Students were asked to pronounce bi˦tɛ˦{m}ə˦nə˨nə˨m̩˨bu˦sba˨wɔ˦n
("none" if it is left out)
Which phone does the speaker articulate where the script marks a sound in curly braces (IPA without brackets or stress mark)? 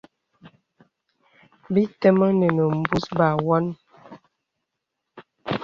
m